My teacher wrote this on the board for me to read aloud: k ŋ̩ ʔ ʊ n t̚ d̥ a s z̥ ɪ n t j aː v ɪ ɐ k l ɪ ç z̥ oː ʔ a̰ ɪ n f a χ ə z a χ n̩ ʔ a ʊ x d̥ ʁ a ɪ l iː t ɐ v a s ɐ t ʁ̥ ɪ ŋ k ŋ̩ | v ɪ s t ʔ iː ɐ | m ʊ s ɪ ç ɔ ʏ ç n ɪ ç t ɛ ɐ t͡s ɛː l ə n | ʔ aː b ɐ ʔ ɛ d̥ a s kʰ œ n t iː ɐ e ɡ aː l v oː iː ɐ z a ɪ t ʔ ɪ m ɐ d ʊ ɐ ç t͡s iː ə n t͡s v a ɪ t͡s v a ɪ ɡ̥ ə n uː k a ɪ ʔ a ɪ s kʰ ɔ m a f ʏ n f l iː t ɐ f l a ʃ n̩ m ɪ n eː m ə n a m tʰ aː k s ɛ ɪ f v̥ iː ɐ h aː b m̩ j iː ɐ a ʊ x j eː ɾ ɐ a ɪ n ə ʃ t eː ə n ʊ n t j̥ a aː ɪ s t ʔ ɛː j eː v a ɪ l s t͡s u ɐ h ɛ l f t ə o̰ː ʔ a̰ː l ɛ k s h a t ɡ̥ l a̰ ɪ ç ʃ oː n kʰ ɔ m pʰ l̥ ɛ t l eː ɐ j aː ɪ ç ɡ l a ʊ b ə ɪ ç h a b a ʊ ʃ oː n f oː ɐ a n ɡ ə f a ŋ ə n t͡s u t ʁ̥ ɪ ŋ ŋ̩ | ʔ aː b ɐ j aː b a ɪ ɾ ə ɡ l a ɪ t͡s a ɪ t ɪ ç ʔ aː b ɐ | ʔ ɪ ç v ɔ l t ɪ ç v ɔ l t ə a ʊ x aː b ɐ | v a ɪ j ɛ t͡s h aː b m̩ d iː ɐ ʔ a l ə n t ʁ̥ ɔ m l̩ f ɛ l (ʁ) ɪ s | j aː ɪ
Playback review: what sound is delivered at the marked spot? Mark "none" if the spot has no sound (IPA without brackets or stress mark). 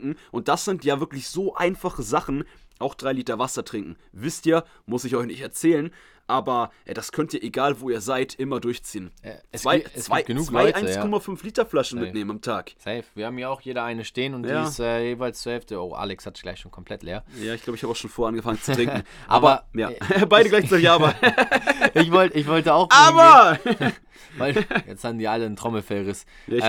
ʁ